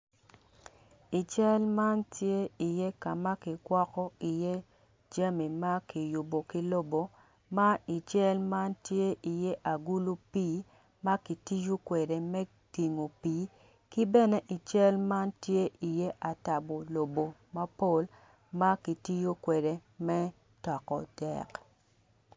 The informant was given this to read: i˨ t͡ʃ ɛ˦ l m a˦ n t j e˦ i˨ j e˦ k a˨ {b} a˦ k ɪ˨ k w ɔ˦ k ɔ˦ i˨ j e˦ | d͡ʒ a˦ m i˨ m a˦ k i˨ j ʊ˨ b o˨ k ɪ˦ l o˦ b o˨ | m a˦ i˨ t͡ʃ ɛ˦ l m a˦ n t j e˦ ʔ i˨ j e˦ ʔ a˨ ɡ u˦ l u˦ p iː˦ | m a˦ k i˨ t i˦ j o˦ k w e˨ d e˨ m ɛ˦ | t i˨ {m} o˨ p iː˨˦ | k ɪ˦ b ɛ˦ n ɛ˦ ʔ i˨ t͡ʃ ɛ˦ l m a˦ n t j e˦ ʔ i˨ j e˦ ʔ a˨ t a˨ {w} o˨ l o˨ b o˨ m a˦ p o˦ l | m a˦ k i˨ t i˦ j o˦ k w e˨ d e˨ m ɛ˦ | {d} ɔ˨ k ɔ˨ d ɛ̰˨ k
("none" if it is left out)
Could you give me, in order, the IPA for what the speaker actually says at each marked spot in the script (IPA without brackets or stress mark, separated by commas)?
m, ŋ, b, t